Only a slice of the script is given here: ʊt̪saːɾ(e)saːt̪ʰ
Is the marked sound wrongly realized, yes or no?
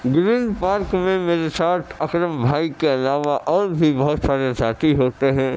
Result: no